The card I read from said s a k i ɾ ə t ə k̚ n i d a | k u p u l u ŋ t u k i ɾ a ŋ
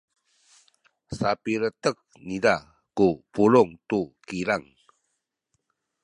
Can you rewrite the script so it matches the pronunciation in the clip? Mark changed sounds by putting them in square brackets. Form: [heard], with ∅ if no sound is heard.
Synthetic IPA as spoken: s a [p] i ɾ ə t ə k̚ n i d a | k u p u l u ŋ t u k i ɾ a ŋ